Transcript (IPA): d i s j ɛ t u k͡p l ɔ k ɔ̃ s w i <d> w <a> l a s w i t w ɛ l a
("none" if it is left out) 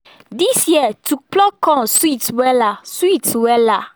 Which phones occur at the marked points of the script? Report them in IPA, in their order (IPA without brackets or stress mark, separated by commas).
t, ɛ